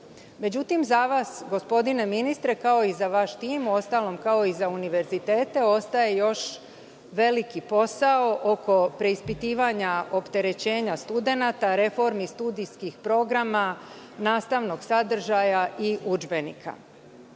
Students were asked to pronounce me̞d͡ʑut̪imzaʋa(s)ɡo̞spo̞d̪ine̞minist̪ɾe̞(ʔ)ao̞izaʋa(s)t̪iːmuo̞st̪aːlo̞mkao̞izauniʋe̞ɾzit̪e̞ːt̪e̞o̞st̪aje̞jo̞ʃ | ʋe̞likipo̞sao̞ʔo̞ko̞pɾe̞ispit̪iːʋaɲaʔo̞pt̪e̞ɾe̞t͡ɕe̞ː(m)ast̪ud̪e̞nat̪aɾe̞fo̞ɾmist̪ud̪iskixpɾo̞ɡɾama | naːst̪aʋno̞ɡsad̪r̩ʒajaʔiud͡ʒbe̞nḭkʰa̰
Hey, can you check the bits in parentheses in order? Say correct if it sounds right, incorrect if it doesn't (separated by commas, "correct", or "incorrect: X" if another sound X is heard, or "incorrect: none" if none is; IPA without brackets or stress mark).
correct, incorrect: k, incorrect: ʃ, incorrect: ɲ